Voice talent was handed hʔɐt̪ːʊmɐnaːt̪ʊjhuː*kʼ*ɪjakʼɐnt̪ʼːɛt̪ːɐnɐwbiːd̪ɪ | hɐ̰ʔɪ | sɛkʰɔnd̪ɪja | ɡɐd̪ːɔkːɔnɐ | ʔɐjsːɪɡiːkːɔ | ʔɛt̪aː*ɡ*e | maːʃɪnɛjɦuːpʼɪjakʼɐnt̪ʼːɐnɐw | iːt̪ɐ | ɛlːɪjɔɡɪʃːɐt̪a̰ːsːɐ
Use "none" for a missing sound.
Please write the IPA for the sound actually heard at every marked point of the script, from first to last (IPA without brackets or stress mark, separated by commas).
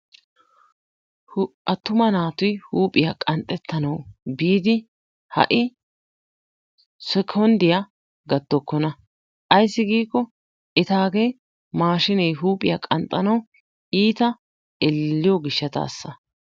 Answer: pʼ, ɡ